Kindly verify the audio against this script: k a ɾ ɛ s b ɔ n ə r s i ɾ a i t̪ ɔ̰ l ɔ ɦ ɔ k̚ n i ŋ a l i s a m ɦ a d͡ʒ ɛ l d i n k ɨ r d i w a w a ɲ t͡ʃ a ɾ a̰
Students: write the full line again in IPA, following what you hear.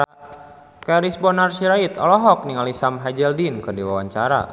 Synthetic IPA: k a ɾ i s b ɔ n a r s i ɾ a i t̪ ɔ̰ l ɔ ɦ ɔ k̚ n i ŋ a l i s a m ɦ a d͡ʒ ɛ l d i n k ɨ r d i w a w a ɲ t͡ʃ a ɾ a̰